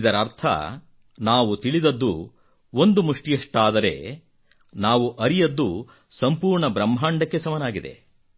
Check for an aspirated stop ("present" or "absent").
present